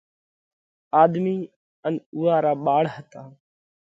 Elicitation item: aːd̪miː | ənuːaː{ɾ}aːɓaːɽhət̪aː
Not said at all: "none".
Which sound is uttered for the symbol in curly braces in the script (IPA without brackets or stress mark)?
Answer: ɾ